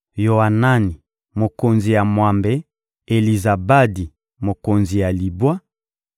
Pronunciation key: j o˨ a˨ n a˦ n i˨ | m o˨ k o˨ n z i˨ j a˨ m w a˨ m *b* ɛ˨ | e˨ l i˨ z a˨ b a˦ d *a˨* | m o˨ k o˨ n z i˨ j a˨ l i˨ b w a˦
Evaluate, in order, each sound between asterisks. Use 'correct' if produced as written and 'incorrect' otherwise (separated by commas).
correct, incorrect